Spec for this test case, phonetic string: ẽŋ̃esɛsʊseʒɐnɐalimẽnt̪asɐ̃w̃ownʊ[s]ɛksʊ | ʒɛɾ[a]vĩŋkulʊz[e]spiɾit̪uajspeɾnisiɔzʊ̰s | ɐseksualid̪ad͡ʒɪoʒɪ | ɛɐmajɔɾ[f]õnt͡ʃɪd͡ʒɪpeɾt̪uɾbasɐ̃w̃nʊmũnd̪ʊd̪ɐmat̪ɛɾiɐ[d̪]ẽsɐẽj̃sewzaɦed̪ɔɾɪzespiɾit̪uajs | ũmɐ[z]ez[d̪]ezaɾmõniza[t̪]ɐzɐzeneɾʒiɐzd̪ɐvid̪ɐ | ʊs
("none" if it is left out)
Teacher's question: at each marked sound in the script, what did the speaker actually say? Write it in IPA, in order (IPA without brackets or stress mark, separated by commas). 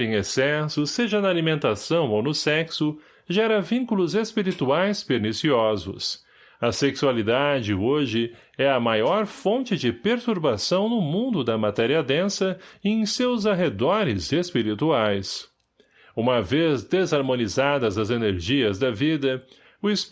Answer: s, ɐ, e, f, d̪, v, d̪, d̪